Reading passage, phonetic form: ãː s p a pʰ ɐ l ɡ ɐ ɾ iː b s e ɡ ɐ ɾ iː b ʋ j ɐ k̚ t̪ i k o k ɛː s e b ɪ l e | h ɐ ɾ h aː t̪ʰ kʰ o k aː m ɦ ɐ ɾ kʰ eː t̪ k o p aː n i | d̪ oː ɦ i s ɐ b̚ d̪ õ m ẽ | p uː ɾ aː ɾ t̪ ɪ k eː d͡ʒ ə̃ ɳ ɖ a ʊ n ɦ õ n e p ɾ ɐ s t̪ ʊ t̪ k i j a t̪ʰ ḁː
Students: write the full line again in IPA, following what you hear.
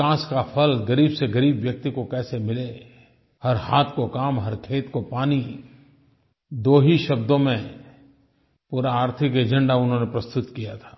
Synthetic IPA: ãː s k a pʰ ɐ l ɡ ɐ ɾ iː b s e ɡ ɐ ɾ iː b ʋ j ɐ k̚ t̪ i k o k ɛː s e m ɪ l e | h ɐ ɾ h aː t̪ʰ k o k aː m ɦ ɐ ɾ kʰ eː t̪ k o p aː n i | d̪ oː ɦ i ʃ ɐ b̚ d̪ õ m ẽ | p uː ɾ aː ɾ t̪ʰ ɪ k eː d͡ʒ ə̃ ɳ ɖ a ʊ n ɦ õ n e p ɾ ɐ s t̪ ʊ t̪ k i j a t̪ʰ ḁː